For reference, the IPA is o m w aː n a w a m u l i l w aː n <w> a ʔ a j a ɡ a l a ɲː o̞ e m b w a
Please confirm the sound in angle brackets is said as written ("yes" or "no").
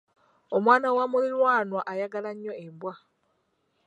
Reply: yes